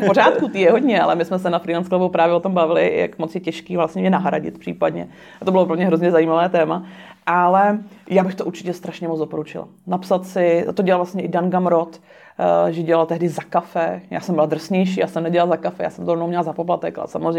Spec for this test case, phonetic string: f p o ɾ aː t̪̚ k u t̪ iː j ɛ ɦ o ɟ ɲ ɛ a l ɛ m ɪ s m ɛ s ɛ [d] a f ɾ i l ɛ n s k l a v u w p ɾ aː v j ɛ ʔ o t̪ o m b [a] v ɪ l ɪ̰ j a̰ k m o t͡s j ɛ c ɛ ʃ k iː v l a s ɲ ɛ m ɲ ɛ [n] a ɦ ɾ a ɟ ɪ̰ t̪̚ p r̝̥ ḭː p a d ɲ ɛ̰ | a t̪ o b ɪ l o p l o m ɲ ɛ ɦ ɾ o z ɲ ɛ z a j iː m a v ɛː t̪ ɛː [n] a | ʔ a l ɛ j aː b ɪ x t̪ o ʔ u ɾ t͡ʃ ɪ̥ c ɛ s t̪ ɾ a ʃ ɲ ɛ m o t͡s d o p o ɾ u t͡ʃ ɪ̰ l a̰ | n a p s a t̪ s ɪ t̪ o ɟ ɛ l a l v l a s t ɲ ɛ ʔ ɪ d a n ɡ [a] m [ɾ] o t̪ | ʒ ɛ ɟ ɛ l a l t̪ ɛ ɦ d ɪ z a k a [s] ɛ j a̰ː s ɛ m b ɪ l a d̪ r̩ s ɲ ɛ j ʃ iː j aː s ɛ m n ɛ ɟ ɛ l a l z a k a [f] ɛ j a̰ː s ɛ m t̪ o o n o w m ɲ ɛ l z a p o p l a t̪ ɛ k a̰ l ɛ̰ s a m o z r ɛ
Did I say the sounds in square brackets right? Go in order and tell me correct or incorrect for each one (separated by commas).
incorrect, correct, correct, incorrect, correct, correct, incorrect, correct